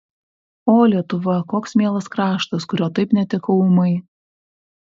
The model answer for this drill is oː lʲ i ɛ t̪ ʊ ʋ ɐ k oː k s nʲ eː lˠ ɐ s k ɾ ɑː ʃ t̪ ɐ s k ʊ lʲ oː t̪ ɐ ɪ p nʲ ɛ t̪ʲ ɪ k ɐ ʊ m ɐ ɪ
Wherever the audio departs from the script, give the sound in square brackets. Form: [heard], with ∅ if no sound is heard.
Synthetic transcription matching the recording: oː lʲ i ɛ t̪ ʊ ʋ ɐ k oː k s [mʲ] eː lˠ ɐ s k ɾ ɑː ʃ t̪ ɐ s k ʊ [ɾʲ] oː t̪ ɐ ɪ p nʲ ɛ t̪ʲ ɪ k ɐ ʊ m ɐ ɪ